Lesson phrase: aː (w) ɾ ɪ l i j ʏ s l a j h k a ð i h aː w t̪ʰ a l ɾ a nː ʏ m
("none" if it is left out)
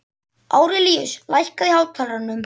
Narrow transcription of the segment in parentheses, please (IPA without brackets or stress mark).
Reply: w